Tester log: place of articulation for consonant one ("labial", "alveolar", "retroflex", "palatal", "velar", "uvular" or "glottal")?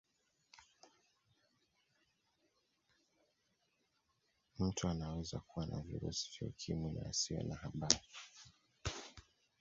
labial